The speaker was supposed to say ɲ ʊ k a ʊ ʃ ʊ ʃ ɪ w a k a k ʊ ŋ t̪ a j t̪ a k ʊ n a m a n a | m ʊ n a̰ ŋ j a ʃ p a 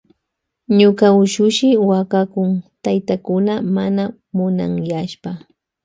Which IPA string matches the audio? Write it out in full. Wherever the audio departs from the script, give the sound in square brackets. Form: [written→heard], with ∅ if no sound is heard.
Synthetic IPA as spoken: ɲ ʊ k a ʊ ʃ ʊ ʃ ɪ w a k a k ʊ ŋ t̪ a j t̪ a k ʊ n a m a n a | m ʊ n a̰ ŋ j a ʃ p a